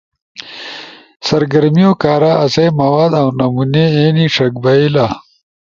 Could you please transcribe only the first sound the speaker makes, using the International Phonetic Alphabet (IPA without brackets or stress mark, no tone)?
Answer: s